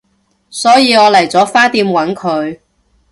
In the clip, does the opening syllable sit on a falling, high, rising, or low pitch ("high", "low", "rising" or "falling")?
rising